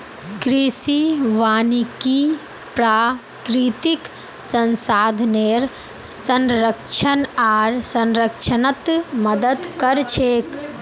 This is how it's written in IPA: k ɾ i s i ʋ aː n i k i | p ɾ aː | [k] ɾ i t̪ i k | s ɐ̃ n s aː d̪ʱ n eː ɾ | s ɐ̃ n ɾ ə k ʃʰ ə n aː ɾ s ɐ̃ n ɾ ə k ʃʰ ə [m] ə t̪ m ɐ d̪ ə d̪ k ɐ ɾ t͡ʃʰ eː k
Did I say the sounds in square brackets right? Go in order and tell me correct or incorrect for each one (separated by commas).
correct, incorrect